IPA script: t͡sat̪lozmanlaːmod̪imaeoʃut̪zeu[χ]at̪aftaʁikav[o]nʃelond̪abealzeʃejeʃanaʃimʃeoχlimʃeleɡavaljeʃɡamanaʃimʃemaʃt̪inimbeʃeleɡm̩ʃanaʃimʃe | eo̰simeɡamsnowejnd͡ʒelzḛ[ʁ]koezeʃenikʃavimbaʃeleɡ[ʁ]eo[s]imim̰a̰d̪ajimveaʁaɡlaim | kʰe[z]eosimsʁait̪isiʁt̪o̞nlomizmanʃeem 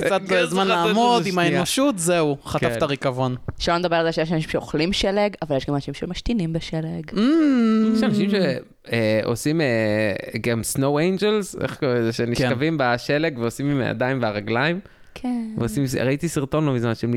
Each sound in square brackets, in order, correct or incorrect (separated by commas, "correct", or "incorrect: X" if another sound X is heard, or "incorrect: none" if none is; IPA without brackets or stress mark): correct, correct, incorrect: χ, incorrect: v, correct, incorrect: v